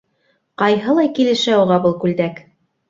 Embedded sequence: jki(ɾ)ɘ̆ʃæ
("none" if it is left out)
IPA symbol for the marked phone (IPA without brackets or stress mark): l